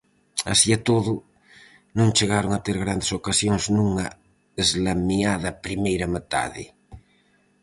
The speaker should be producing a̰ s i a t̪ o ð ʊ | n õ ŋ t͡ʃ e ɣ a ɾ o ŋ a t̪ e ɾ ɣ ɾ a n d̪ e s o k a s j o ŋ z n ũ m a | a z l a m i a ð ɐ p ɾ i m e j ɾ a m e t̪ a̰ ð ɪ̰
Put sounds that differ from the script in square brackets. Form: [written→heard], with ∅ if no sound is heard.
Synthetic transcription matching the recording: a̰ s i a t̪ o ð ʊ | n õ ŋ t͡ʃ e ɣ a ɾ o ŋ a t̪ e ɾ ɣ ɾ a n d̪ e s o k a s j o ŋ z n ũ [m→ŋ] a | [a→e] z l a m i a ð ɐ p ɾ i m e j ɾ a m e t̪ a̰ ð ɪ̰